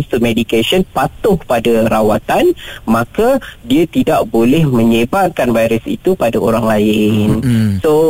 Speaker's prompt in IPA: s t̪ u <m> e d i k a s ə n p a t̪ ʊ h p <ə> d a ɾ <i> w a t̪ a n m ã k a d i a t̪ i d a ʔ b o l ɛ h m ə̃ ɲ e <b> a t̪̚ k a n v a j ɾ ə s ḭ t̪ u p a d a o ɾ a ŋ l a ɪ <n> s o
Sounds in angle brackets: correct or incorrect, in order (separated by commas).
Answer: correct, incorrect, incorrect, correct, correct